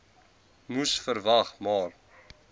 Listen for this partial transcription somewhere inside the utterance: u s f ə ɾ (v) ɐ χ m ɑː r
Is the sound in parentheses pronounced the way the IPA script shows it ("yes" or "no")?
yes